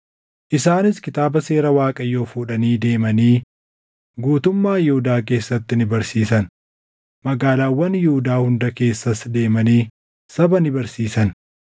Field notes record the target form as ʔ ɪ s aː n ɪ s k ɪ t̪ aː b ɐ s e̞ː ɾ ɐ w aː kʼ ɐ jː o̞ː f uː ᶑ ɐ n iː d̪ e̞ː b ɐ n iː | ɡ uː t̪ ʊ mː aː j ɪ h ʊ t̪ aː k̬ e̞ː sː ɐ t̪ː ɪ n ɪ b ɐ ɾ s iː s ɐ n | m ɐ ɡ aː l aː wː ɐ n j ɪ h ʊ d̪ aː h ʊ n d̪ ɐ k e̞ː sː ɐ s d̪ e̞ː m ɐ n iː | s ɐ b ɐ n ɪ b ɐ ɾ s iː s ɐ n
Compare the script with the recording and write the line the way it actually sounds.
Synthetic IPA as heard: ʔ ɪ s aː n ɪ s k ɪ t̪ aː b ɐ s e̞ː ɾ ɐ w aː kʼ ɐ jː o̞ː f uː ᶑ ɐ n iː d̪ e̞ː m ɐ n iː | ɡ uː t̪ ʊ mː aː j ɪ h ʊ d̪ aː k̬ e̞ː sː ɐ t̪ː ɪ n ɪ b ɐ ɾ s iː s ɐ n | m ɐ ɡ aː l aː wː ɐ n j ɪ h ʊ d̪ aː h ʊ n d̪ ɐ k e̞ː sː ɐ s d̪ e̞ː m ɐ n iː | s ɐ b ɐ n ɪ b ɐ ɾ s iː s ɐ n

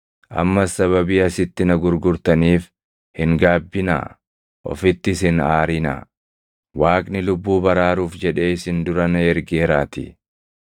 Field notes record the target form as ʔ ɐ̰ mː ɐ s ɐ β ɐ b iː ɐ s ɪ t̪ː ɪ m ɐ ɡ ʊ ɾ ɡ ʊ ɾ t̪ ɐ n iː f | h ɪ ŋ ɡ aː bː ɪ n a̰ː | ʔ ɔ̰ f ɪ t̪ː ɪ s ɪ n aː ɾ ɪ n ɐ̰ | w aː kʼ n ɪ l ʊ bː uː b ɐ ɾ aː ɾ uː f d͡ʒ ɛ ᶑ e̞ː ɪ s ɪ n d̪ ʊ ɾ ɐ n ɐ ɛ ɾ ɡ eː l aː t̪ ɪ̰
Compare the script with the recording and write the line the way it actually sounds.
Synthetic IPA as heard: ʔ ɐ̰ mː ɐ s ɐ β ɐ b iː ɐ s ɪ t̪ː ɪ n ɐ ɡ ʊ ɾ ɡ ʊ ɾ t̪ ɐ n iː f | h ɪ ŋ ɡ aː bː ɪ n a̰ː | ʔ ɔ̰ f ɪ t̪ː ɪ s ɪ n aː ɾ ɪ n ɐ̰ | w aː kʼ n ɪ l ʊ bː uː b ɐ ɾ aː ɾ uː f d͡ʒ ɛ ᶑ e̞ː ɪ s ɪ n d̪ ʊ ɾ ɐ n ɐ ɛ ɾ ɡ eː ɾ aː t̪ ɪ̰

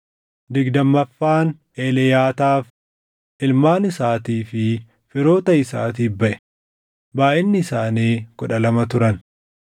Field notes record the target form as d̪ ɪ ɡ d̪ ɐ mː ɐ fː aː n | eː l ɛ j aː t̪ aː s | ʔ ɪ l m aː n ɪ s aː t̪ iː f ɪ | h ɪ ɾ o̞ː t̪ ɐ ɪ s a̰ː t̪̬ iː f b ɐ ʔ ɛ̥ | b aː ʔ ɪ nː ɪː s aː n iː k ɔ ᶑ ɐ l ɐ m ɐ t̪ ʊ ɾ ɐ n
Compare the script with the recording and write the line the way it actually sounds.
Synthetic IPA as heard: d̪ ɪ ɡ d̪ ɐ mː ɐ fː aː n | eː l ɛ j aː t̪ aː f | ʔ ɪ l m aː n ɪ s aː t̪ iː f ɪ | f ɪ ɾ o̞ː t̪ ɐ ɪ s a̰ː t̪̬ iː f b ɐ ʔ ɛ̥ | b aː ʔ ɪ nː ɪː s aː n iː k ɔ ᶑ ɐ l ɐ m ɐ t̪ ʊ ɾ ɐ n

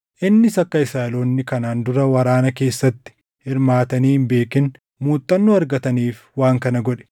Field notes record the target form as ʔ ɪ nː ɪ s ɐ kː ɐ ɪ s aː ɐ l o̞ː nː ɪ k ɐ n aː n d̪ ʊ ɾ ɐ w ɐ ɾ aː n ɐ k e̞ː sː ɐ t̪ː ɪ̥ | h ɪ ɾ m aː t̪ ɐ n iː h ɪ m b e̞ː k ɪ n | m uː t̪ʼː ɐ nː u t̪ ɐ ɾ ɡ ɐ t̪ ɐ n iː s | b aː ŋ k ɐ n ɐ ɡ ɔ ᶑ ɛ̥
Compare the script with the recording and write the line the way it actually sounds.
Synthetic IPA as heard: ʔ ɪ nː ɪ s ɐ kː ɐ ɪ s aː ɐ l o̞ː nː ɪ k ɐ n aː n d̪ ʊ ɾ ɐ w ɐ ɾ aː n ɐ k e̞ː sː ɐ t̪ː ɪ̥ | h ɪ ɾ m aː t̪ ɐ n iː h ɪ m b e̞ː k ɪ n | m uː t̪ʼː ɐ nː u ɐ ɾ ɡ ɐ t̪ ɐ n iː f | w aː ŋ k ɐ n ɐ ɡ ɔ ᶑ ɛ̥

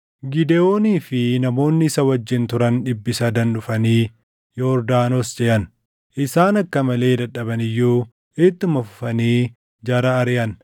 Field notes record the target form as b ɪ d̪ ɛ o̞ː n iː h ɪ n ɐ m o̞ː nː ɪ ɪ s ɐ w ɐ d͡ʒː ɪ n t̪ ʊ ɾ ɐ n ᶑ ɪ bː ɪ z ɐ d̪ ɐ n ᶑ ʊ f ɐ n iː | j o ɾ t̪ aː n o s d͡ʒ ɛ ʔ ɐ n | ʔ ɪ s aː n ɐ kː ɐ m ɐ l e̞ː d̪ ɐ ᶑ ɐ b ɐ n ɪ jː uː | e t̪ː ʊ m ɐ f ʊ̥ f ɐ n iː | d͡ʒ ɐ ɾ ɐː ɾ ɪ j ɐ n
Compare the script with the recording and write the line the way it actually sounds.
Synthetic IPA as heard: ɡ ɪ d̪ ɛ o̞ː n iː f ɪ n ɐ m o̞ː nː ɪ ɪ s ɐ w ɐ d͡ʒː ɪ n t̪ ʊ ɾ ɐ n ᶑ ɪ bː ɪ s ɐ d̪ ɐ n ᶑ ʊ f ɐ n iː | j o ɾ d̪ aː n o s d͡ʒ ɛ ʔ ɐ n | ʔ ɪ s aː n ɐ kː ɐ m ɐ l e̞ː d̪ ɐ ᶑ ɐ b ɐ n ɪ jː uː | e t̪ː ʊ m ɐ f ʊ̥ f ɐ n iː | d͡ʒ ɐ ɾ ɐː ɾ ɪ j ɐ n

